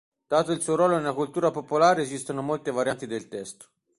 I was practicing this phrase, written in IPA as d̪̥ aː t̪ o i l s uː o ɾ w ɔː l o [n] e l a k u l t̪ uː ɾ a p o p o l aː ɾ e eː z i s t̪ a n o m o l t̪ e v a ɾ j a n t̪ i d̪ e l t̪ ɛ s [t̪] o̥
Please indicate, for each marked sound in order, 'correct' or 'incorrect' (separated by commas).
correct, correct